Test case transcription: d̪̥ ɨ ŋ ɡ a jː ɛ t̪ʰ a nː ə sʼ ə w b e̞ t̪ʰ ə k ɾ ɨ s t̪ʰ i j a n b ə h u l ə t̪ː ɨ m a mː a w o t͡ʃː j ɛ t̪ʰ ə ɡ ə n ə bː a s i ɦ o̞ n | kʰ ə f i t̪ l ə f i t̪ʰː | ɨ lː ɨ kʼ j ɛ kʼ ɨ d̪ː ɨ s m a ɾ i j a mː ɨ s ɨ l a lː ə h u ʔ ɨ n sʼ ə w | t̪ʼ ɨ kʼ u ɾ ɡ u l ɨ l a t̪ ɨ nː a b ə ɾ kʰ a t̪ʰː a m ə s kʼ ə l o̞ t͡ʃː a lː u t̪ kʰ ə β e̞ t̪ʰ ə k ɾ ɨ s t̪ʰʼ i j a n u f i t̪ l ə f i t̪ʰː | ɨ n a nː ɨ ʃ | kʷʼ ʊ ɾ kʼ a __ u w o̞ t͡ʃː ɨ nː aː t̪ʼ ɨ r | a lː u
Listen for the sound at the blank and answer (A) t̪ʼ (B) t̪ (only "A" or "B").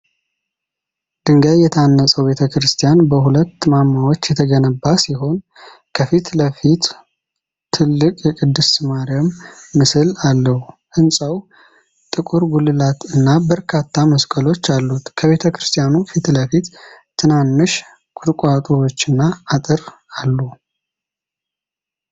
A